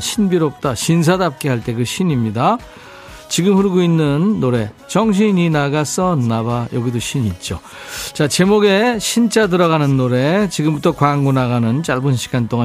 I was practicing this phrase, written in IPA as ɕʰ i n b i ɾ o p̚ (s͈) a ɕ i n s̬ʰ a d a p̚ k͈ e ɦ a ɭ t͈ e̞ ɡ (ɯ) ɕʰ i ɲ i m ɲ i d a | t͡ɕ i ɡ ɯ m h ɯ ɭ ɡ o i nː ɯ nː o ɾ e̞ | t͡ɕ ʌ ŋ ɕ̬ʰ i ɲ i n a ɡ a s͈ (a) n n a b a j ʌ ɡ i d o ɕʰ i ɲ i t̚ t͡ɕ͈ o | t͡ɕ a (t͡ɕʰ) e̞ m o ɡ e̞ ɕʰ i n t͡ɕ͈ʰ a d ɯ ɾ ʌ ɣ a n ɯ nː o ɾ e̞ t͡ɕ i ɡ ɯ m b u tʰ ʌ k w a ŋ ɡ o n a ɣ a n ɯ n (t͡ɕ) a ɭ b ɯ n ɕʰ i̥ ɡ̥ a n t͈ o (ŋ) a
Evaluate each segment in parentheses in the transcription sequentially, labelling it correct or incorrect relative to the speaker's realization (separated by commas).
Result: incorrect, correct, incorrect, incorrect, correct, correct